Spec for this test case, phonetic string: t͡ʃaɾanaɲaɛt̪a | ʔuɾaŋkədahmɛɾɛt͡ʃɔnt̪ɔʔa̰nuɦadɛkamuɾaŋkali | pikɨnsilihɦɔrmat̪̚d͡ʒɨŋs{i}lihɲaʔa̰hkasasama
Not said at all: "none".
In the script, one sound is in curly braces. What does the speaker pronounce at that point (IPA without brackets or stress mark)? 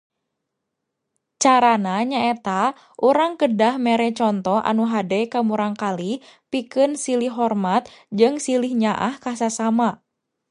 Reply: i